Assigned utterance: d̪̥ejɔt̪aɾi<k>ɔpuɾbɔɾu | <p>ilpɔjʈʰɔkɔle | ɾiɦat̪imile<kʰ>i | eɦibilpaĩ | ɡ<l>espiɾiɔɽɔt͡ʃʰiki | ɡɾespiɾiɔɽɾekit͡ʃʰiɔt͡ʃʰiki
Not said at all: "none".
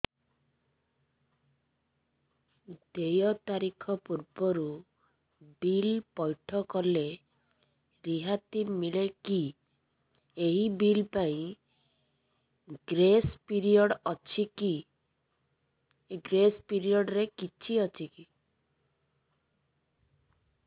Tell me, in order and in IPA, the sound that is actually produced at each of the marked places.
kʰ, b, k, ɾ

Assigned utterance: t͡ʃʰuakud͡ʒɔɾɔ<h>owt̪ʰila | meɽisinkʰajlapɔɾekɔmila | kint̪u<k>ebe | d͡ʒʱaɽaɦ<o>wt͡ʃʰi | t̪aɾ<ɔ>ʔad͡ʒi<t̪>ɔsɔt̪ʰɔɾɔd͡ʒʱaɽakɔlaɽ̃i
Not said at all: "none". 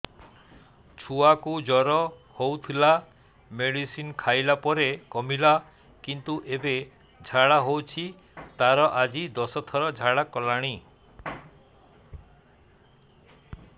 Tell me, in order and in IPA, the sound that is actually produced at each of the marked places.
h, ʔ, o, ɔ, d̪

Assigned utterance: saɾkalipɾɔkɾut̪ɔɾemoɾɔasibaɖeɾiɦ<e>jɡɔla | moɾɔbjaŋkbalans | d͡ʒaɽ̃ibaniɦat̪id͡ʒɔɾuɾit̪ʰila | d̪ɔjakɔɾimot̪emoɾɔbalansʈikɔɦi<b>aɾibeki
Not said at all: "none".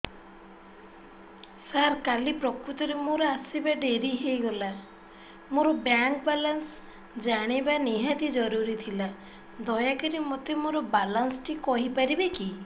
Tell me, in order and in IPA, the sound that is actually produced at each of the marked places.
e, p

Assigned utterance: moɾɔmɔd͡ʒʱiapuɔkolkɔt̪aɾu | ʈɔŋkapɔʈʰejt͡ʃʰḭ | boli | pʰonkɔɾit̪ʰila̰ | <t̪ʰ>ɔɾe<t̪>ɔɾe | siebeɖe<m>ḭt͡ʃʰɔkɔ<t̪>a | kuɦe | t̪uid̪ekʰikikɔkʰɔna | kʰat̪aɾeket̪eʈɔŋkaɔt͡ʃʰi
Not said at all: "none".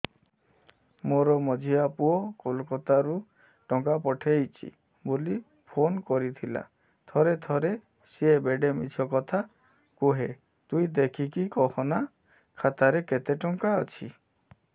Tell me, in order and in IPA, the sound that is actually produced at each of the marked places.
t̪ʰ, t̪ʰ, m, t̪ʰ

